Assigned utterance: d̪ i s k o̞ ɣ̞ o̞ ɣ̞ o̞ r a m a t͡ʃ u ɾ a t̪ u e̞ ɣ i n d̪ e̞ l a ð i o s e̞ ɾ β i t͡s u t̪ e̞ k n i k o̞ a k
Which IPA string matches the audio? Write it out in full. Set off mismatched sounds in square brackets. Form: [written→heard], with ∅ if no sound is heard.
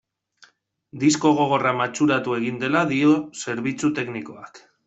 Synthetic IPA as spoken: d̪ i s k o̞ ɣ̞ o̞ ɣ̞ o̞ r a m a t͡ʃ u ɾ a t̪ u e̞ ɣ i n d̪ e̞ l a ð i o s e̞ ɾ β i t͡s u t̪ e̞ k n i k o̞ a k

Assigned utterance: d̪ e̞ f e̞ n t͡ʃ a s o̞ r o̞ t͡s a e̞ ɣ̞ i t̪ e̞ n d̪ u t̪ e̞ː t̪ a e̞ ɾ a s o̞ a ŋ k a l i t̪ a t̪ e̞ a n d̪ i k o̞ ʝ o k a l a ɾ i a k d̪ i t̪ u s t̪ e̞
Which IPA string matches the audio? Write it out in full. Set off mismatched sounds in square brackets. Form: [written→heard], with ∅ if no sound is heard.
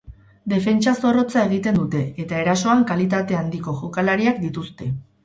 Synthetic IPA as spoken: d̪ e̞ f e̞ n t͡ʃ a s o̞ r o̞ t͡s a e̞ ɣ̞ i t̪ e̞ n d̪ u t̪ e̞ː t̪ a e̞ ɾ a s o̞ a ŋ k a l i t̪ a t̪ e̞ a n d̪ i k o̞ ʝ o k a l a ɾ i a k d̪ i t̪ u s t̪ e̞

